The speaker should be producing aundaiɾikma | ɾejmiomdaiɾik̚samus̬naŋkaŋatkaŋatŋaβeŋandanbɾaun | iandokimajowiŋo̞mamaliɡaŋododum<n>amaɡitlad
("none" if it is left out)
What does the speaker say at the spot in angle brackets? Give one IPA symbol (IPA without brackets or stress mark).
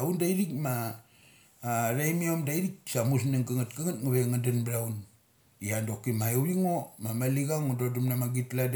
n